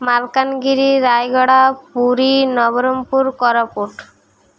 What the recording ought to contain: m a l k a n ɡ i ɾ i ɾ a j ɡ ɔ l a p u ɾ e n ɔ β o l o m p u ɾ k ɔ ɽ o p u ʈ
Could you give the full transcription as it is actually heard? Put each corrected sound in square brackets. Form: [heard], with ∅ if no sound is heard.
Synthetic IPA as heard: m a l k a n ɡ i ɾ i ɾ a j ɡ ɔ [ɽ] a p u ɾ [i] n ɔ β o [ɾ] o m p u ɾ k ɔ [ɾ] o p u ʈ